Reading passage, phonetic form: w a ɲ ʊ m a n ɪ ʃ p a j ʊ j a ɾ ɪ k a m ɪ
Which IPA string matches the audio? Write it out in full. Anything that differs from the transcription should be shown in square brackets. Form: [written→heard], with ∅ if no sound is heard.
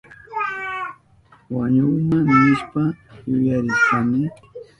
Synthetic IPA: w a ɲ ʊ m a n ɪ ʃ p a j ʊ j a ɾ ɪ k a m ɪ